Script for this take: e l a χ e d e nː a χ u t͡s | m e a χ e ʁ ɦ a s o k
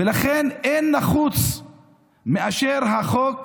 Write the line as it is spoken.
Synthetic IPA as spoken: e l a χ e n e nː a χ u t͡s | m e a ʃ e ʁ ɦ a χ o k